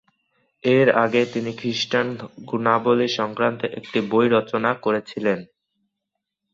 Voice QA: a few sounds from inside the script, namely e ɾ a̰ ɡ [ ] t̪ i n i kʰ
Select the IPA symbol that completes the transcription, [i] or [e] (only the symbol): e